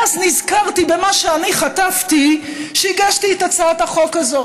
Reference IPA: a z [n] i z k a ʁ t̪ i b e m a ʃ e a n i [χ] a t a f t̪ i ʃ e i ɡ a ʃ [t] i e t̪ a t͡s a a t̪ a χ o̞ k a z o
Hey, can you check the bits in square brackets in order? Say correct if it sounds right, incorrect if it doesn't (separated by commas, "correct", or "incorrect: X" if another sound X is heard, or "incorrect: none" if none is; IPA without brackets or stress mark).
correct, correct, correct